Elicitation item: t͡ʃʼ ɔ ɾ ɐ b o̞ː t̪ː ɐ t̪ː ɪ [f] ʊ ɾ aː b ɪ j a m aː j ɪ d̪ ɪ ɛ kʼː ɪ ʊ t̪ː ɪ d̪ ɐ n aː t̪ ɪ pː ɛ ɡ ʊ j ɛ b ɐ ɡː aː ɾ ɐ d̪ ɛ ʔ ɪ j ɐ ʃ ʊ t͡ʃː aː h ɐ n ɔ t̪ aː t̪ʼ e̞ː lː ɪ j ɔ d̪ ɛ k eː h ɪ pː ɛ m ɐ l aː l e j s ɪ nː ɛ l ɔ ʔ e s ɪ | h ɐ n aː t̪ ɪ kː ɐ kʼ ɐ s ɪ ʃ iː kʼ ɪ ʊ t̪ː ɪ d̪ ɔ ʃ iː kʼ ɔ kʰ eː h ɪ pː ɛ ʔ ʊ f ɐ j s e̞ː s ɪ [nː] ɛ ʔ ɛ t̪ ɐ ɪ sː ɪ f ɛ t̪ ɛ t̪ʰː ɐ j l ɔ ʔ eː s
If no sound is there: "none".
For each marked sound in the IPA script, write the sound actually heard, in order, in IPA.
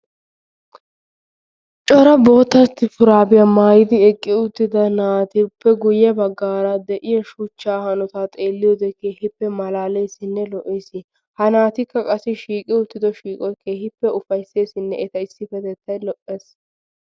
f, nː

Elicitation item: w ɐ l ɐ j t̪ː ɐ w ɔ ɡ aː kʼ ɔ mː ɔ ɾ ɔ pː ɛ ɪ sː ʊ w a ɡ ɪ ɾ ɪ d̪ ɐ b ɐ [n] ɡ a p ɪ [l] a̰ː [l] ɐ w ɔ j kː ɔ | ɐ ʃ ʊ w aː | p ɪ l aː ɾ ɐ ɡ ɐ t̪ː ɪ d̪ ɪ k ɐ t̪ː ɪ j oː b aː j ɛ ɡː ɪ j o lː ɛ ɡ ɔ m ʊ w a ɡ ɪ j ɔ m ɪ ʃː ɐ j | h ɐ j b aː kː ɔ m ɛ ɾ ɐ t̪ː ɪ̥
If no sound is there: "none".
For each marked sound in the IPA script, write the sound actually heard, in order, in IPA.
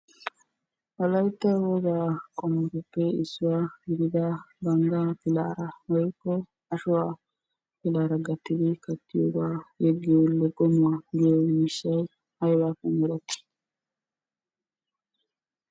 ŋ, l, ɾ

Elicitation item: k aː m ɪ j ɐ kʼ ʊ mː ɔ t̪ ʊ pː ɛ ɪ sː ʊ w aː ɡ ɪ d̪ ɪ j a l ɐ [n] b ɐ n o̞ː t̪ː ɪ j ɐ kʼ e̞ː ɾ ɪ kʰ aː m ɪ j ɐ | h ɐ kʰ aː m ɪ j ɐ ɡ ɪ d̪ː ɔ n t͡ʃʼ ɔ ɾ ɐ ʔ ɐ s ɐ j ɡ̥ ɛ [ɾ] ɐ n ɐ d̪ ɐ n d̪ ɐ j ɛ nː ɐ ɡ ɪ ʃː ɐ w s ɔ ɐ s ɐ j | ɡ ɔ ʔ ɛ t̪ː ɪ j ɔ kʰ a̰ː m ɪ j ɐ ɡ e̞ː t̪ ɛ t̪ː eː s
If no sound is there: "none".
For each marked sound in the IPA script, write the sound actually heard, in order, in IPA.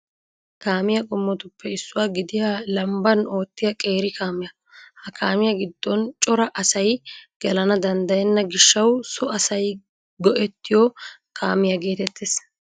m, l

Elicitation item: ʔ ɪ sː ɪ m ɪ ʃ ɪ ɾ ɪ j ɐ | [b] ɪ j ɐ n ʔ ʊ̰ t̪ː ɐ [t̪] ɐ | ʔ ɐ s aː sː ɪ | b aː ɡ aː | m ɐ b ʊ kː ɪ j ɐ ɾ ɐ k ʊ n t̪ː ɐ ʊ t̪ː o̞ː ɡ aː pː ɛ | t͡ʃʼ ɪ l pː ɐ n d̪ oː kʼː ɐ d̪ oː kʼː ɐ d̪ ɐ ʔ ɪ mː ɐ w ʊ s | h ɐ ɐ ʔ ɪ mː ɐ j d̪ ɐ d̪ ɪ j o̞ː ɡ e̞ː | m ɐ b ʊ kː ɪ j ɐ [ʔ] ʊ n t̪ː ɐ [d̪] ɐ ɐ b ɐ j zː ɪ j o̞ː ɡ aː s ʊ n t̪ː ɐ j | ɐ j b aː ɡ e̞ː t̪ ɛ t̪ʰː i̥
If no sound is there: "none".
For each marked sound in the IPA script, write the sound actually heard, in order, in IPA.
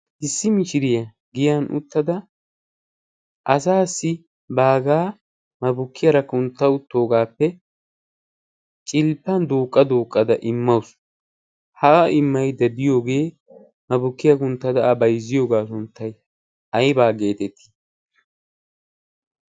ɡ, d̪, k, d̪

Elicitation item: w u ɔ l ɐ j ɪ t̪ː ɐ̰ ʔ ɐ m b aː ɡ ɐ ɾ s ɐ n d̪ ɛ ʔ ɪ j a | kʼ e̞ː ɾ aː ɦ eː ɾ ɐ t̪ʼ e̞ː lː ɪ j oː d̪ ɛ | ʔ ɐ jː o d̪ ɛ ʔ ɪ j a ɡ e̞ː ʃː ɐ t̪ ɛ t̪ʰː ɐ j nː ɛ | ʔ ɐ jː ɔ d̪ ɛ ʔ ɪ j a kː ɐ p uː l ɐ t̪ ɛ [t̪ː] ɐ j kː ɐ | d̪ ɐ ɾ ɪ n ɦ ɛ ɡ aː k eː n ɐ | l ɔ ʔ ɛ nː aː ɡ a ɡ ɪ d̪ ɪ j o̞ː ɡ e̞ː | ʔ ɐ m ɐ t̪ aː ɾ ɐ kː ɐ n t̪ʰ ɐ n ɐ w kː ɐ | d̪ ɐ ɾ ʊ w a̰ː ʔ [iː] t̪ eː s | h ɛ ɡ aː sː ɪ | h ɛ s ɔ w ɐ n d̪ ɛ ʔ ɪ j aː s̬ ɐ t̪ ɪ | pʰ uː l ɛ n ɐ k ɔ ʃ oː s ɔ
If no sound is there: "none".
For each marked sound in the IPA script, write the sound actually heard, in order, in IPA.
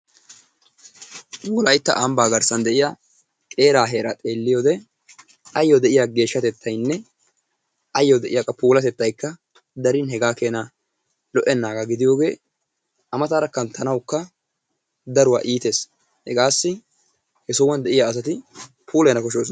t̪ː, iː

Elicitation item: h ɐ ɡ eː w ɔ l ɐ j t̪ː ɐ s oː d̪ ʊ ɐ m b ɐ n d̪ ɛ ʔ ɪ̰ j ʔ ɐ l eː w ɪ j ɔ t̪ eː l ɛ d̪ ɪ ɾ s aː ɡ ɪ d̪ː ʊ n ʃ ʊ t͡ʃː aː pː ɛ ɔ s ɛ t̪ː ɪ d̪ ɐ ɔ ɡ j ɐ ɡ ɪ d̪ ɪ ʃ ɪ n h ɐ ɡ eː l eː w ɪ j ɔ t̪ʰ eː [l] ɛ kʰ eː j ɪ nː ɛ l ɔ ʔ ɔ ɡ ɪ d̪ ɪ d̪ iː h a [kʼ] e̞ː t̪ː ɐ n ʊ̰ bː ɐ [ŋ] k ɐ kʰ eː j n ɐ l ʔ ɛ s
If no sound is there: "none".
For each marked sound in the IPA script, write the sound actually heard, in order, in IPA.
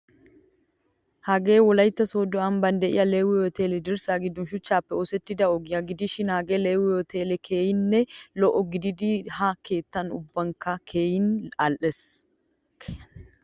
l, k, ŋ

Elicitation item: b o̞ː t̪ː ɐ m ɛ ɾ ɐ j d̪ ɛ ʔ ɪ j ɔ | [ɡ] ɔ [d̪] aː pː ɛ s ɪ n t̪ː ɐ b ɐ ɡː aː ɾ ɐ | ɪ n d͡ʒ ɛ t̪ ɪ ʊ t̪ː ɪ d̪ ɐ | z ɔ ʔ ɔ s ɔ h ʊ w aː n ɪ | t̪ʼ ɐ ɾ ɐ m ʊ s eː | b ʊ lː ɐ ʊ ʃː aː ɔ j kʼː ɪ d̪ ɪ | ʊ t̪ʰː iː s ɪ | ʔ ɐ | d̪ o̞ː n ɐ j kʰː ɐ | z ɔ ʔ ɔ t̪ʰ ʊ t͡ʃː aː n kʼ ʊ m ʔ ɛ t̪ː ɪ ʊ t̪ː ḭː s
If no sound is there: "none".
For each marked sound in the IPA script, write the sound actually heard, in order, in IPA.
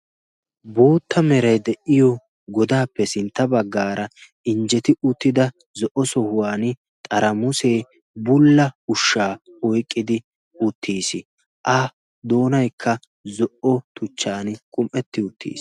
ɡ, d̪

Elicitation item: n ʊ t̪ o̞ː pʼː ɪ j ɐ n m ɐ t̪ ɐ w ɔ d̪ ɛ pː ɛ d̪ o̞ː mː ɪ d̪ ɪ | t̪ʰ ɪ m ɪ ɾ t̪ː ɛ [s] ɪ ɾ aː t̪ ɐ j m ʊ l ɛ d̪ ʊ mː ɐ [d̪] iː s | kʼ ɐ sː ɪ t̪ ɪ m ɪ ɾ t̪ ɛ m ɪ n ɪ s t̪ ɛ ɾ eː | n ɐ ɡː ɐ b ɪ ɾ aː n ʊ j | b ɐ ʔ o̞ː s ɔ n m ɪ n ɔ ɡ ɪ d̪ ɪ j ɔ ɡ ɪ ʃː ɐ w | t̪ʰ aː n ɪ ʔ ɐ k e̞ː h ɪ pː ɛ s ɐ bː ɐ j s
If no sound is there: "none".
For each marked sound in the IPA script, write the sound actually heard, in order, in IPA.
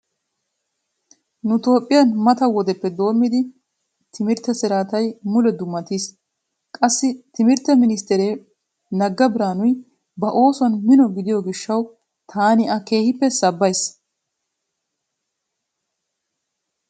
s, t̪

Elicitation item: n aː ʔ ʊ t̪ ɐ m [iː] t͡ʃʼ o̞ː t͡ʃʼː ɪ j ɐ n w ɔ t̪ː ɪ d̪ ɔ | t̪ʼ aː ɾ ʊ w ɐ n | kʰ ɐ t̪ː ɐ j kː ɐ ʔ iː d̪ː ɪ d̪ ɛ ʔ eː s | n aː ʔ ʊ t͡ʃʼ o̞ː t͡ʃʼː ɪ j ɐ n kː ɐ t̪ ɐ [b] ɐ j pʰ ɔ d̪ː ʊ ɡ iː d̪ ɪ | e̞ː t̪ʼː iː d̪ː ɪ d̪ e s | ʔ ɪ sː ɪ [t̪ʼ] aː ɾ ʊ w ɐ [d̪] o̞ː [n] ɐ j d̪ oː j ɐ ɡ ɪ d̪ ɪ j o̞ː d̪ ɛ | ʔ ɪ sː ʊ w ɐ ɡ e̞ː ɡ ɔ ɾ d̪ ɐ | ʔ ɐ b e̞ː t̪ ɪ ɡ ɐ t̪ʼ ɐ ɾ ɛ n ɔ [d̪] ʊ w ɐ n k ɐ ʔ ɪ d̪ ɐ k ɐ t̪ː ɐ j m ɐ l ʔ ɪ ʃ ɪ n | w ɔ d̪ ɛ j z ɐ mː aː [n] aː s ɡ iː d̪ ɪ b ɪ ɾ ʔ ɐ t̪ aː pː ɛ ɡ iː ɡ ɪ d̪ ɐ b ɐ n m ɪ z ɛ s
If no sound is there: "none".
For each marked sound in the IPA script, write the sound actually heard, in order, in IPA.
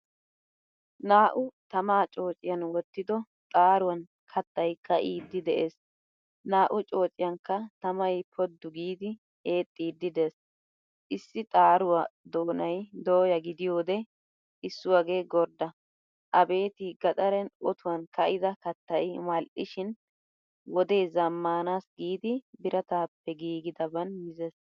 aː, m, t̪ʼ, d̪, n, t̪, n

